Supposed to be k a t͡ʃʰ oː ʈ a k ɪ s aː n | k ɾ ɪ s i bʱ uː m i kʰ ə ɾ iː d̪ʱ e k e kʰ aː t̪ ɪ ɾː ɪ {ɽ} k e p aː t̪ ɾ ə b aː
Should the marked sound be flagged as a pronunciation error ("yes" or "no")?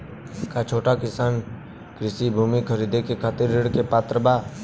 no